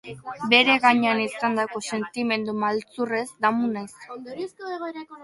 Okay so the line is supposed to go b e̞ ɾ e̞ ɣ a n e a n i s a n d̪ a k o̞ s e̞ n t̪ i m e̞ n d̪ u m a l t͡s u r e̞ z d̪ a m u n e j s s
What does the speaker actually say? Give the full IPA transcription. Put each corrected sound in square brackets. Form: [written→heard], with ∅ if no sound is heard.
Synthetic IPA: b e̞ ɾ e̞ ɣ a [n→ɲ] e a n i s a n d̪ a k o̞ s e̞ n t̪ i m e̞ n d̪ u m a l t͡s u r e̞ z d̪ a m u n [e→a] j s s